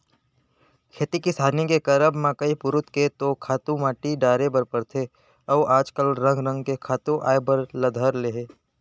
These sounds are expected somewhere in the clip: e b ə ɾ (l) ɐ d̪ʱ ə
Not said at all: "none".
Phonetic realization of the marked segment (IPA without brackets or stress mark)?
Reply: l